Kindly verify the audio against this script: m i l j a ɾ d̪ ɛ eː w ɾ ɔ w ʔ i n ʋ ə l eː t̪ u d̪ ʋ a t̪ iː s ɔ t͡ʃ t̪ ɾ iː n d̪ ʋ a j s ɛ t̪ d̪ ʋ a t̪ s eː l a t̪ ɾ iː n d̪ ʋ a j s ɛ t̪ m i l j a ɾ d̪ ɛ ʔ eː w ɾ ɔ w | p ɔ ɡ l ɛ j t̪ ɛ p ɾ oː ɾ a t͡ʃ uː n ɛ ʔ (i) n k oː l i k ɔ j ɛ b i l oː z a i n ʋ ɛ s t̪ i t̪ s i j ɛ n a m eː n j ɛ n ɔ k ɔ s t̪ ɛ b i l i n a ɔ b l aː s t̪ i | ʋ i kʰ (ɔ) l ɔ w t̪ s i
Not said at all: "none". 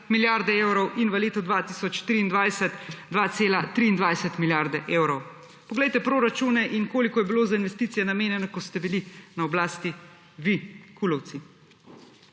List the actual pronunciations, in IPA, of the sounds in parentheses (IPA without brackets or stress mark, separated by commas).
i, u